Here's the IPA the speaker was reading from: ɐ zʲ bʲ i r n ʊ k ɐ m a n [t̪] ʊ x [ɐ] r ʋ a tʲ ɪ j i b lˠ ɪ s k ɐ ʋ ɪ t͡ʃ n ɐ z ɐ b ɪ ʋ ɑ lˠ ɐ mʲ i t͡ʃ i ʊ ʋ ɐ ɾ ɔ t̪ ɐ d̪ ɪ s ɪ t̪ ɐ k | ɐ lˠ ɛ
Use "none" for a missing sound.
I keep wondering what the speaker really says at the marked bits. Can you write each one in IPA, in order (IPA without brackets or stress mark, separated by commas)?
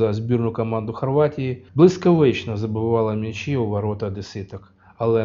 d̪, ɐ